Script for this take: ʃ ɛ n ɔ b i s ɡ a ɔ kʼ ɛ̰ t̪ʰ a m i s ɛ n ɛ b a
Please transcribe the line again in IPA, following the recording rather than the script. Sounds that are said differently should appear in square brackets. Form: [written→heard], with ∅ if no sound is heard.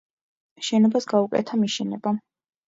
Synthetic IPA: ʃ ɛ n ɔ b [i→a] s ɡ a [ɔ→u] kʼ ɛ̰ t̪ʰ a m i [s→ʃ] ɛ n ɛ b a